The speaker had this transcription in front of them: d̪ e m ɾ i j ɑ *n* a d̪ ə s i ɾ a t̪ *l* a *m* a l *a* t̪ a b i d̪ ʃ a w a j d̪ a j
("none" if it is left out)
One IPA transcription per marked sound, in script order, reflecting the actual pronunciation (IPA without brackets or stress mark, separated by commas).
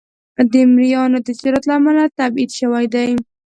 n, l, m, a